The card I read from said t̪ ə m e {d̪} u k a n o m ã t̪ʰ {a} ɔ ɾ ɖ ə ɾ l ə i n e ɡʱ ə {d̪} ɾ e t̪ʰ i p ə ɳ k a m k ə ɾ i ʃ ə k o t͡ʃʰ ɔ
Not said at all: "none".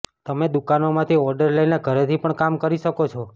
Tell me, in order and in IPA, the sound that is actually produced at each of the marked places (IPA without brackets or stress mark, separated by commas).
d̪, i, none